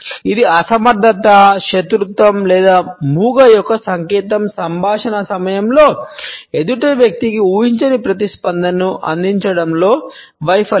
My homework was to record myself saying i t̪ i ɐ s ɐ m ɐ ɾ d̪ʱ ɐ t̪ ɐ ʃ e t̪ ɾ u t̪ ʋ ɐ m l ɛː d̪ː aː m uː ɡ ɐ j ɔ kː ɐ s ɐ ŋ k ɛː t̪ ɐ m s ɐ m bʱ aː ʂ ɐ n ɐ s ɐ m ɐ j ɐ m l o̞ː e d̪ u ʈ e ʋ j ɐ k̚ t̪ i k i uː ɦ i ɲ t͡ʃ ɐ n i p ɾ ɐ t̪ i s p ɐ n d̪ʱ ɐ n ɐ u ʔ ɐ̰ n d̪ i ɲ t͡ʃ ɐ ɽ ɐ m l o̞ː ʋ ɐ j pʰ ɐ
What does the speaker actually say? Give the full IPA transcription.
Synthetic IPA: i d̪ i ɐ s ɐ m ɐ ɾ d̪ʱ ɐ t̪ ɐ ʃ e t̪ ɾ u t̪ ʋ ɐ m l ɛː d̪ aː m uː ɡ ɐ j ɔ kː ɐ s ɐ ŋ k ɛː t̪ ɐ m s ɐ m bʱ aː ʂ ɐ n ɐ s ɐ m ɐ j ɐ m l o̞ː e d̪ u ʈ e ʋ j ɐ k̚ t̪ i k i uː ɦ i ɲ t͡ʃ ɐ n i p ɾ ɐ t̪ i s p ɐ n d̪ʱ ɐ n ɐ u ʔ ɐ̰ n d̪ i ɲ t͡ʃ ɐ ɽ ɐ m l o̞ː ʋ ɐ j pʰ ɐ